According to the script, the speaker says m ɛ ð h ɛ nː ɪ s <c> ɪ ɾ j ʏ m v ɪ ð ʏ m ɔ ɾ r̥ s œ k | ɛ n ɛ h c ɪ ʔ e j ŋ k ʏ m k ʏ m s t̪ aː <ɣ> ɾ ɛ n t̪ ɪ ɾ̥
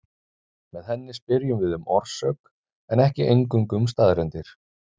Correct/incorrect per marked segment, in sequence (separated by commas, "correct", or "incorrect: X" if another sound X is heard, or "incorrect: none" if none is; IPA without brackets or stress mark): incorrect: p, incorrect: ð